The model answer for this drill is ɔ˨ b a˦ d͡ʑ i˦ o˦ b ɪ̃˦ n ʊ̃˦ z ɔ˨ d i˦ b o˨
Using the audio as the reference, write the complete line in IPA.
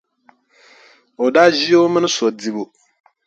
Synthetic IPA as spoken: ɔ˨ d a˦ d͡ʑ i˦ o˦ m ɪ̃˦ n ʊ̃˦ s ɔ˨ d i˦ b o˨